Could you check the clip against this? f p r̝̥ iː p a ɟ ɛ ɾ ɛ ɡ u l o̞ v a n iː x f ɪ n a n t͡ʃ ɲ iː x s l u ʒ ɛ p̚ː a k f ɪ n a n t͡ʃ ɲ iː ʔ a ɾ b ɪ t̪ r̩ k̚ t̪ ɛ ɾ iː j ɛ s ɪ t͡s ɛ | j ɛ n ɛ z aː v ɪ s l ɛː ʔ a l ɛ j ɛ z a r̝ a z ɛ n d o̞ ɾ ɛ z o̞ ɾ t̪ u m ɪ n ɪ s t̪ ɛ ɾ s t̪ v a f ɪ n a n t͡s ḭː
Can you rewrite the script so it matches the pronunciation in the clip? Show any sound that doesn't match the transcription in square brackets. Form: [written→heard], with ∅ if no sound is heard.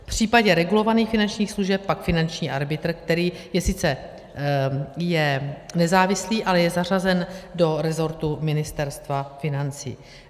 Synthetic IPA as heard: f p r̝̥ iː p a ɟ ɛ ɾ ɛ ɡ u l o̞ v a n iː x f ɪ n a n t͡ʃ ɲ iː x s l u ʒ ɛ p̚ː a k f ɪ n a n t͡ʃ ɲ iː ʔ a ɾ b ɪ t̪ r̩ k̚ t̪ ɛ ɾ iː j ɛ s ɪ t͡s ɛ | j ɛ n ɛ z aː v ɪ s l [ɛː→iː] ʔ a l ɛ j ɛ z a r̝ a z ɛ n d o̞ ɾ ɛ z o̞ ɾ t̪ u m ɪ n ɪ s t̪ ɛ ɾ s t̪ v a f ɪ n a n t͡s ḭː